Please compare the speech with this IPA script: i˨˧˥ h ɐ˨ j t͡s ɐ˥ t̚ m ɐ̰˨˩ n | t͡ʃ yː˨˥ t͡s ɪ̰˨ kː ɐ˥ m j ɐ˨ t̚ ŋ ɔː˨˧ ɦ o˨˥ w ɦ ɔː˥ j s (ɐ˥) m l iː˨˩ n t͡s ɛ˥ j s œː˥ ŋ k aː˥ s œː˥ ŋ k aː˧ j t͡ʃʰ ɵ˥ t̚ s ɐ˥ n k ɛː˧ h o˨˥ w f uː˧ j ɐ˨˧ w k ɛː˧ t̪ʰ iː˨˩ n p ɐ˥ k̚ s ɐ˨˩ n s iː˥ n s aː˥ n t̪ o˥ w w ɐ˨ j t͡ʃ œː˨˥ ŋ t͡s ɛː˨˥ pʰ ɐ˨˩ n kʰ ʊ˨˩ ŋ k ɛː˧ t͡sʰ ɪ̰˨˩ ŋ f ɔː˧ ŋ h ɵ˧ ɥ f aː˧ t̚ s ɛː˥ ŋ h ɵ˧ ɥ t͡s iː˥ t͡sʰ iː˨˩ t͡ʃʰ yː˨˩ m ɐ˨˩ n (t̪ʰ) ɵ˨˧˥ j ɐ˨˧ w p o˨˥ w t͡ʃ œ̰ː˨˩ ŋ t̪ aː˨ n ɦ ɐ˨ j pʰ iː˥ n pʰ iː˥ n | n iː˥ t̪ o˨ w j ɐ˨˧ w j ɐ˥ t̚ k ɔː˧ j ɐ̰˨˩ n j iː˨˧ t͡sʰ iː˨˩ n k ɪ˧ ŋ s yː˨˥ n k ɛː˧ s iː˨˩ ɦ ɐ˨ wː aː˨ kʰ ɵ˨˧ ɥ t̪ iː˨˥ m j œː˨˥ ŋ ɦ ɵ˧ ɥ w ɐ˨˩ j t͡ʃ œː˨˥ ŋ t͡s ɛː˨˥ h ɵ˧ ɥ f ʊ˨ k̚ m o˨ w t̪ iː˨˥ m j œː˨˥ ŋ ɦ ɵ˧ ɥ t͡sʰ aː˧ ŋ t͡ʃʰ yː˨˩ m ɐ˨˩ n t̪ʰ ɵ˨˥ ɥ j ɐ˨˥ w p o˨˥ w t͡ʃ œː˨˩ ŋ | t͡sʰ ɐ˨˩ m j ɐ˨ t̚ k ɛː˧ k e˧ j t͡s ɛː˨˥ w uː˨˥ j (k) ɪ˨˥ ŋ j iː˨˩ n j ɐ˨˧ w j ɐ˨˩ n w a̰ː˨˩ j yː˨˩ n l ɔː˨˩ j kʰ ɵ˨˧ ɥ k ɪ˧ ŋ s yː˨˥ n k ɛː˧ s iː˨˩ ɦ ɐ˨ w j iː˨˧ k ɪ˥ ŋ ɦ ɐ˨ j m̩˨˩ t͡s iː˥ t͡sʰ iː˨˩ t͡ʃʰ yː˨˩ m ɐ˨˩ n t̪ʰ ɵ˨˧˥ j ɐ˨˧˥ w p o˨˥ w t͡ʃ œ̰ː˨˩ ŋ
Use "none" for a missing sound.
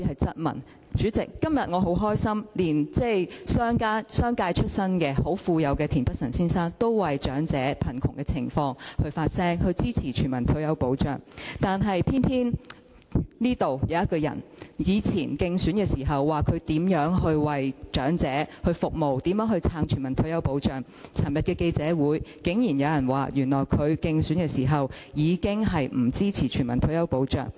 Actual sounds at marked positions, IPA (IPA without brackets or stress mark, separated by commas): ɐ˥, t̪ʰ, k